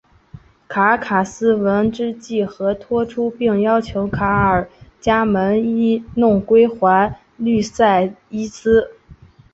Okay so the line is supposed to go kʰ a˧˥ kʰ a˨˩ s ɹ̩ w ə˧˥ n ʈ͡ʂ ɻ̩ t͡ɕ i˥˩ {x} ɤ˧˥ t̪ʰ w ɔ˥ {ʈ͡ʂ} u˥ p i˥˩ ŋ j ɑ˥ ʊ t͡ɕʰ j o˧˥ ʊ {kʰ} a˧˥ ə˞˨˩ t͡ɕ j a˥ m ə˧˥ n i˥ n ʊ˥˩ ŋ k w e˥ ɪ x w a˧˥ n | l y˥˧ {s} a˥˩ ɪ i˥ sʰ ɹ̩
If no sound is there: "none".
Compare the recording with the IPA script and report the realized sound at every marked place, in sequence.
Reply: x, ʈ͡ʂʰ, kʰ, s

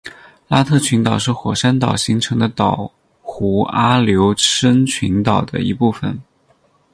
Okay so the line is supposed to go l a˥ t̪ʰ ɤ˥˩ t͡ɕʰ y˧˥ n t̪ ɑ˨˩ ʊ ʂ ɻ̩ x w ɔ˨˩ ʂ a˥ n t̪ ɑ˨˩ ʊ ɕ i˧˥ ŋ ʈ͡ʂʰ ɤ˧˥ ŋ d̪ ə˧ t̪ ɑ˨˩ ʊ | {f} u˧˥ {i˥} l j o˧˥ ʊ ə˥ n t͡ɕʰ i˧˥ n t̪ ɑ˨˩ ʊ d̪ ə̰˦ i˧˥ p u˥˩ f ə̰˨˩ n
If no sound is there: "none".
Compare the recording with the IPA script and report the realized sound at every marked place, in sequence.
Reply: x, a˥

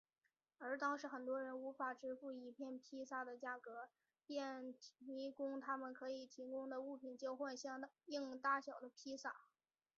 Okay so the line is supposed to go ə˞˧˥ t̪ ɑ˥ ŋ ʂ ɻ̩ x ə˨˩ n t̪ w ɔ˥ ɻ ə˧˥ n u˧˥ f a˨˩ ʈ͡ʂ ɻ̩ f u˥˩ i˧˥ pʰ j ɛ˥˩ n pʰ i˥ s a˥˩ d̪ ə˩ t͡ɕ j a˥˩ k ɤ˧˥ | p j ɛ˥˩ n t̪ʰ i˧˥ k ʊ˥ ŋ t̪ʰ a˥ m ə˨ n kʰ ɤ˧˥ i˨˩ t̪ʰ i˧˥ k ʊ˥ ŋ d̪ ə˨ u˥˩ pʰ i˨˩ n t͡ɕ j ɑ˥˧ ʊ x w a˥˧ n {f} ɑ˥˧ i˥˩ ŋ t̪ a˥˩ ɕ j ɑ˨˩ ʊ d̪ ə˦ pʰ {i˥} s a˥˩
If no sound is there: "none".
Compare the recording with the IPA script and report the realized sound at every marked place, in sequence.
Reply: ɕ, i˥

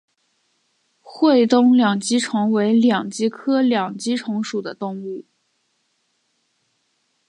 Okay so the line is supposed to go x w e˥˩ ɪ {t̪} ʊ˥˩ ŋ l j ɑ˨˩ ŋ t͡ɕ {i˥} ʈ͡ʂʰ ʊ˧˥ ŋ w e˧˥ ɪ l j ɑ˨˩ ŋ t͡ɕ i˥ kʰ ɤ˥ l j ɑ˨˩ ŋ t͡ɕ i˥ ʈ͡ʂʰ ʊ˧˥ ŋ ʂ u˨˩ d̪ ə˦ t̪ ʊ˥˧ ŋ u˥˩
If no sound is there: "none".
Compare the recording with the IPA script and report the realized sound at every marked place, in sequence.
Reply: t̪, i˥

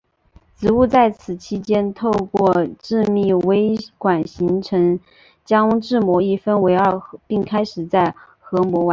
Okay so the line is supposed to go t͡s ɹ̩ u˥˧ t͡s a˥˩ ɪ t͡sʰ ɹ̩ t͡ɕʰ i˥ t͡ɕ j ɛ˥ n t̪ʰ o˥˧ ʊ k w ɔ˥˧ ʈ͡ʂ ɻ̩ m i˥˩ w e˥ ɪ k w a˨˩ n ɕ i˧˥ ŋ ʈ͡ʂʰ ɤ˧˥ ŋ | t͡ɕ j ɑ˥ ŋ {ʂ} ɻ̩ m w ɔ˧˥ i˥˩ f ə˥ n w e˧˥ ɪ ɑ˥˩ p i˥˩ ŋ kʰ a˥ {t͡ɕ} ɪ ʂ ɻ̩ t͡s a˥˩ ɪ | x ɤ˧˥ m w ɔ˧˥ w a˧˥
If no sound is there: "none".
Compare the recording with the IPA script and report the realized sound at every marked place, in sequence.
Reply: ʈ͡ʂ, none

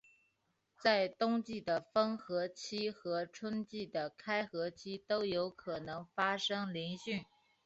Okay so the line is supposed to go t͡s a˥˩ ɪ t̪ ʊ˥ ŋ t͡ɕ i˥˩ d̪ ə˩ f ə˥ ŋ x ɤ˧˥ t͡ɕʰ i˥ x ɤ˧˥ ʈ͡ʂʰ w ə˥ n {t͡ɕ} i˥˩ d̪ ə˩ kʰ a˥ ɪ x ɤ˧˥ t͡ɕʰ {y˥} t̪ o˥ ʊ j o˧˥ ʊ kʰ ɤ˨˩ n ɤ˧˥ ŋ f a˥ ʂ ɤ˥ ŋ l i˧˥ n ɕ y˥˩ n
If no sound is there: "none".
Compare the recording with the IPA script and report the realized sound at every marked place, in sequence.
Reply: t͡ɕ, i˥

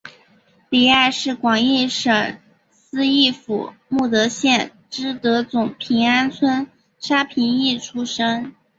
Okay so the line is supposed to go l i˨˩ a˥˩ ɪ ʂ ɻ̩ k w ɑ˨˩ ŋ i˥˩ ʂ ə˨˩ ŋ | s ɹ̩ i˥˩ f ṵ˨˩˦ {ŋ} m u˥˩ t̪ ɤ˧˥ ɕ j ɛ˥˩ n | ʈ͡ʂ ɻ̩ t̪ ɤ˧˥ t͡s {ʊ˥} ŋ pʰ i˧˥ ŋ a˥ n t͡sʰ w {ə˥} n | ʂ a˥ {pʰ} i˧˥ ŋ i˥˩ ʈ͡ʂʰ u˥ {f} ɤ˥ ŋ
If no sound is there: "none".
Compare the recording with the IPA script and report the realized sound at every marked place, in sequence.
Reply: none, ʊ˨˩, ə˥, pʰ, ʂ

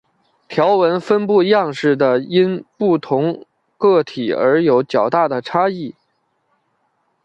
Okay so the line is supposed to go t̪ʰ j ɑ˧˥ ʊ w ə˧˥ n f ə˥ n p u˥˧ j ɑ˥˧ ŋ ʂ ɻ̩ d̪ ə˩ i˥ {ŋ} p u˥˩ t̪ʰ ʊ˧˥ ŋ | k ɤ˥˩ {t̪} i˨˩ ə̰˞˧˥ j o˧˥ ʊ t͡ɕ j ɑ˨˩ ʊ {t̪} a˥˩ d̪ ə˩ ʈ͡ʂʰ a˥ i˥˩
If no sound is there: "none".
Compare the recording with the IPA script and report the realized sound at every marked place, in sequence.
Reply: n, t̪ʰ, t̪

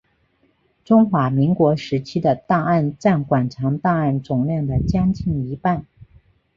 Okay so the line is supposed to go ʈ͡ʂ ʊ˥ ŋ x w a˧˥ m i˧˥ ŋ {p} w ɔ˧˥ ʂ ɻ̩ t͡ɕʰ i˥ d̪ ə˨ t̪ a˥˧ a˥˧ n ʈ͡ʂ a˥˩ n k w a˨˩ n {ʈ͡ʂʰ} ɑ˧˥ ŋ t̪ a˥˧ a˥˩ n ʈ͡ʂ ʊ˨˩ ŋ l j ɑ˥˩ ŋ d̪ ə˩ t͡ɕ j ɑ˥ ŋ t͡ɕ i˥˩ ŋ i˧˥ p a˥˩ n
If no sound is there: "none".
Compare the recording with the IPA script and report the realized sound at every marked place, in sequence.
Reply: k, ʈ͡ʂʰ

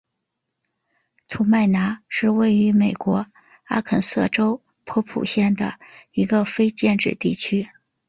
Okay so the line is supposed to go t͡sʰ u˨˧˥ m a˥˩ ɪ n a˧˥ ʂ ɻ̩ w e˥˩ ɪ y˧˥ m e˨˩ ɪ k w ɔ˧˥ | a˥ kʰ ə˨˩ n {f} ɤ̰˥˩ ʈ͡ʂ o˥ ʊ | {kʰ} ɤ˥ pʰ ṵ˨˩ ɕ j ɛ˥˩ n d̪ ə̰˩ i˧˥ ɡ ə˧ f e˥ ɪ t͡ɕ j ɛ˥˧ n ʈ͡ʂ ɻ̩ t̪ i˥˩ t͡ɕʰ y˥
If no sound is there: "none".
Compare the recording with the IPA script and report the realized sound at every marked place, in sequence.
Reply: s, pʰ

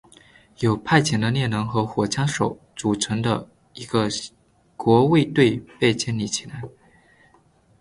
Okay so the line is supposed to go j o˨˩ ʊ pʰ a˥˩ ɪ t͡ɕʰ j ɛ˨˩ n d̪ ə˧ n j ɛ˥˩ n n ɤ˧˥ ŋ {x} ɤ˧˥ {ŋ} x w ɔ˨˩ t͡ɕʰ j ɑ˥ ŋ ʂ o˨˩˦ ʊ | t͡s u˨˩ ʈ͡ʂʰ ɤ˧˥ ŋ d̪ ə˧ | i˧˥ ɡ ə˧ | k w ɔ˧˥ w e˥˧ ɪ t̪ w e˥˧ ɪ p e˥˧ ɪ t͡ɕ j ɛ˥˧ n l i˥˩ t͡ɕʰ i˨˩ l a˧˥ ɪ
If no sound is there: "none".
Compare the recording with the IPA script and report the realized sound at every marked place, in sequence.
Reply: x, none

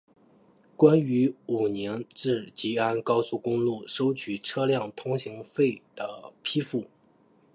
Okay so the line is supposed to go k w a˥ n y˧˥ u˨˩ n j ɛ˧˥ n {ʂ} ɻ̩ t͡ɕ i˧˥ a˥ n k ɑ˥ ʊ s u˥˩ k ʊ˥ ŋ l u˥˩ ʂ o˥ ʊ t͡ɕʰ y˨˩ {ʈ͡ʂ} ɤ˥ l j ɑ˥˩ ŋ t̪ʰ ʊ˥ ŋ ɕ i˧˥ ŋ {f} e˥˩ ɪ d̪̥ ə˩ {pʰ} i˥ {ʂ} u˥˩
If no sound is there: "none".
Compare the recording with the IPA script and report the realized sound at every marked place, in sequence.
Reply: ʈ͡ʂ, ʈ͡ʂʰ, f, pʰ, f

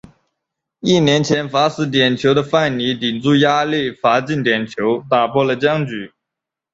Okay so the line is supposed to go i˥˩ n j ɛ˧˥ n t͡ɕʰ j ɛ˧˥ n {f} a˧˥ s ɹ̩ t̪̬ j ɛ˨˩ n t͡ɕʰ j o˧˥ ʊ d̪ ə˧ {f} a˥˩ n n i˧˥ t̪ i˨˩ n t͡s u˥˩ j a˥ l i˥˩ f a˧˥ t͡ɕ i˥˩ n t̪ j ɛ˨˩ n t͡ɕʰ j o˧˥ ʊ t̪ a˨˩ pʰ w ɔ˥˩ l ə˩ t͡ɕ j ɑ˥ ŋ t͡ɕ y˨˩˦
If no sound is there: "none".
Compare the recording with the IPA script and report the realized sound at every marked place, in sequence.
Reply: f, f

